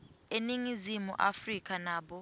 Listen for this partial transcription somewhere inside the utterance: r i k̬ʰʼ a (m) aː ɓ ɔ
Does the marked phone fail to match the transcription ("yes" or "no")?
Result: yes